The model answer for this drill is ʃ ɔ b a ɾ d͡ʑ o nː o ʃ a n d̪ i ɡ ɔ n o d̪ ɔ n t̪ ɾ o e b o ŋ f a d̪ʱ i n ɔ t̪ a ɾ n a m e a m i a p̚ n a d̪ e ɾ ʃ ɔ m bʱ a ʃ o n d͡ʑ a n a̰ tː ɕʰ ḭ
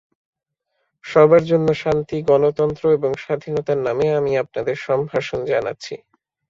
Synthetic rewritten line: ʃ ɔ b a ɾ d͡ʑ o nː o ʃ a n t̪ i ɡ ɔ n o t̪ ɔ n t̪ ɾ o e b o ŋ ʃ a d̪ʱ i n ɔ t̪ a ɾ n a m e a m i a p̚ n a d̪ e ɾ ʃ ɔ m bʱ a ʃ o n d͡ʑ a n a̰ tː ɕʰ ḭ